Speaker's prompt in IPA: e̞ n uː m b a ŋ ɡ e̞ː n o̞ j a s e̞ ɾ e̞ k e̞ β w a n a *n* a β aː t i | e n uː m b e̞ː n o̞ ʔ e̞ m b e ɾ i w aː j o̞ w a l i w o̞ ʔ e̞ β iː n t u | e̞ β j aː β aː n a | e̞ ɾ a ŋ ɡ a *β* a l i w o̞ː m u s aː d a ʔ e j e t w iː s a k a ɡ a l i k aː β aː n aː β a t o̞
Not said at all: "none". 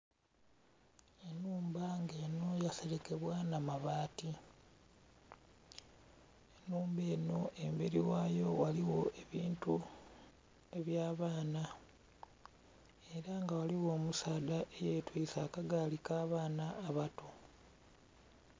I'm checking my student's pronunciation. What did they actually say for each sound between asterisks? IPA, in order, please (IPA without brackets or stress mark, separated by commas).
m, w